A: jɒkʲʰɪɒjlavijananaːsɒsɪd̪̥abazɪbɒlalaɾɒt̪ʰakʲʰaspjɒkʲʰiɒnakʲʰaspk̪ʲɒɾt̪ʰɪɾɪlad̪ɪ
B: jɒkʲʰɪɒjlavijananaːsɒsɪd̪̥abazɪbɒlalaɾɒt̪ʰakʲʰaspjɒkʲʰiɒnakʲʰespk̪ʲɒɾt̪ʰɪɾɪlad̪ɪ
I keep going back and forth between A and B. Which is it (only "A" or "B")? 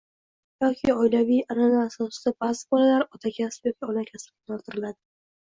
A